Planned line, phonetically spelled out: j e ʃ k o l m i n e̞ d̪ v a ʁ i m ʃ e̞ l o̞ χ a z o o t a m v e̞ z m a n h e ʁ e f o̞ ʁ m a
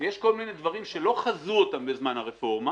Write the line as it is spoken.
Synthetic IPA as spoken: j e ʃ k o l m i n e̞ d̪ v a ʁ i m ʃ e̞ l o̞ χ a z u o t a m b e̞ z m a n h a ʁ e f o̞ ʁ m a